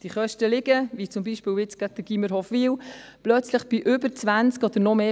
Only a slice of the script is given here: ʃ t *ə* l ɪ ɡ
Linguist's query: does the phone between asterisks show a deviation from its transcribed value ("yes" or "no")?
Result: no